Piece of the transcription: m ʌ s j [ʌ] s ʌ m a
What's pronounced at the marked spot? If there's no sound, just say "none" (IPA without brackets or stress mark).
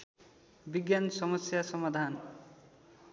a